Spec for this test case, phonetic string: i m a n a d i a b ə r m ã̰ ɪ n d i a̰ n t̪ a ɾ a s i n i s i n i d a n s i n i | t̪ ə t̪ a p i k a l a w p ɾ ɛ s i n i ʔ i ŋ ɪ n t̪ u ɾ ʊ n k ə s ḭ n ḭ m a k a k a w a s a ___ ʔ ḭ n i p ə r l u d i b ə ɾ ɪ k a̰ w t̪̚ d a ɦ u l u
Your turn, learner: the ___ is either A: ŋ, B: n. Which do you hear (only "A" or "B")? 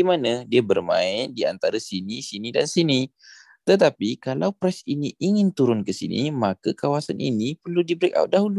B